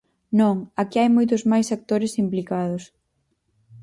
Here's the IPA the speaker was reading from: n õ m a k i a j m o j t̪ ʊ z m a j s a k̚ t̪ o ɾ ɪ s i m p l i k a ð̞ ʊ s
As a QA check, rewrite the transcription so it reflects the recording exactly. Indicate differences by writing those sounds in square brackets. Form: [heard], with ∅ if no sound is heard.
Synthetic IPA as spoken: n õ [ŋ] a k i a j m o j t̪ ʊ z m a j s a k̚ t̪ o ɾ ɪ s i m p l i k a ð̞ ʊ s